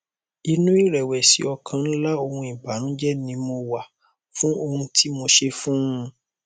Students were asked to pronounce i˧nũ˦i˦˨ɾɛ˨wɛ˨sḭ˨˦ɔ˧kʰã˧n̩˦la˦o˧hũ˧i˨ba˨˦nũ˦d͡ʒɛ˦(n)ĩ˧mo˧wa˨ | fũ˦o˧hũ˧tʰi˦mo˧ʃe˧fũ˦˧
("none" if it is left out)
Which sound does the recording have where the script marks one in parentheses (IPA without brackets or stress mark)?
n